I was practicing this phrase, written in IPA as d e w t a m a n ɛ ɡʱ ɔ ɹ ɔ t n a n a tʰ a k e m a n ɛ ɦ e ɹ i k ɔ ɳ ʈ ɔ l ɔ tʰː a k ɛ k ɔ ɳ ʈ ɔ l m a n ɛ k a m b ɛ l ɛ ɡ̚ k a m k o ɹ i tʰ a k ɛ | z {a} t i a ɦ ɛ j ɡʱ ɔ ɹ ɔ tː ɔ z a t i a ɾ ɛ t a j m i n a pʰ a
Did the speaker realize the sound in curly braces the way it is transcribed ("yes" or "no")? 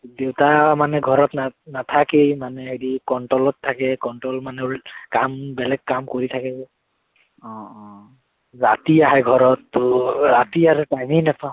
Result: yes